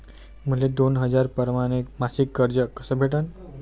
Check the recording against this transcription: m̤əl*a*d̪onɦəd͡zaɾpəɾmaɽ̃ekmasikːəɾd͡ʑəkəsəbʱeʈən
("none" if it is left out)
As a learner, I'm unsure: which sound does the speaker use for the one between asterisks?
e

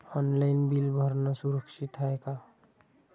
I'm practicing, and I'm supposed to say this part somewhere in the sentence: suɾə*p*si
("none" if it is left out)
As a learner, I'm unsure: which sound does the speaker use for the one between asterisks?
k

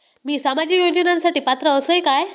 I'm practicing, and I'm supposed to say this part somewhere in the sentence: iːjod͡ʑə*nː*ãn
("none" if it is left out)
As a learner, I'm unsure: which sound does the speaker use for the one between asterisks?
n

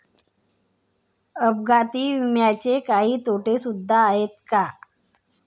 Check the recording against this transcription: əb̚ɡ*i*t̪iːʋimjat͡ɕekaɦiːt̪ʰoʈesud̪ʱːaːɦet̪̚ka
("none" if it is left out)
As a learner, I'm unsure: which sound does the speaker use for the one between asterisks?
a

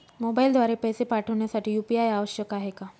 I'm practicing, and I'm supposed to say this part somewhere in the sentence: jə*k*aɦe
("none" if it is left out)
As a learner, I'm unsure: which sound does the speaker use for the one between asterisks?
k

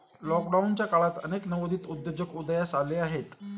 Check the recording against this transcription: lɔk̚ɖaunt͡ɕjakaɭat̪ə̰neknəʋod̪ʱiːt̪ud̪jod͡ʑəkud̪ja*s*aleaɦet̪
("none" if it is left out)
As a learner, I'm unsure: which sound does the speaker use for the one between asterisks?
s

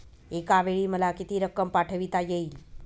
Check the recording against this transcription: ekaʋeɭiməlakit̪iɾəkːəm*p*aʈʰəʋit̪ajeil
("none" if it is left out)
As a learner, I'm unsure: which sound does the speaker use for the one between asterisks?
p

